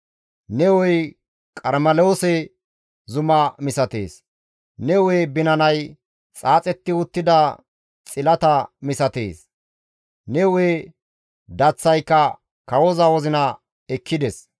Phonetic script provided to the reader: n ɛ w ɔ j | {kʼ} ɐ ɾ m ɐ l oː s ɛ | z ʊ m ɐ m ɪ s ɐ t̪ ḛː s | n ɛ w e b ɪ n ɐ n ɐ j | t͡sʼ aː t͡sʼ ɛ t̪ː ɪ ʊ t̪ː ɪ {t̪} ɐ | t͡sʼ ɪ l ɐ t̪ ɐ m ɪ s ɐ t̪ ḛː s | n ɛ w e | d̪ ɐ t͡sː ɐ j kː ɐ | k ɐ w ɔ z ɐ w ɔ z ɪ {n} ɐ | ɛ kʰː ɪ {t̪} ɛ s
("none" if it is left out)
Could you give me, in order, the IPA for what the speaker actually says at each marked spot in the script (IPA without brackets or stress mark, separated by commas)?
kʼ, d̪, n, d̪